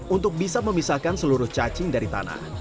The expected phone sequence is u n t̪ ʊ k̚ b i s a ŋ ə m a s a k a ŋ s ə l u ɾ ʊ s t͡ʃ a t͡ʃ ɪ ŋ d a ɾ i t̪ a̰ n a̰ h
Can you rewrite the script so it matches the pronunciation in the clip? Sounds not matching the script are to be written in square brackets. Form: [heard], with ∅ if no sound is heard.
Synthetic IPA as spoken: u n t̪ ʊ k̚ b i s a [m] ə m [i] s a k a [n] s ə l u ɾ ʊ [h] t͡ʃ a t͡ʃ ɪ ŋ d a ɾ i t̪ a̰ n a̰ h